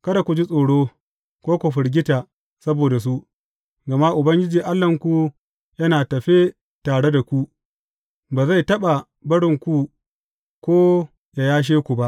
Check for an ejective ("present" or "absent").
present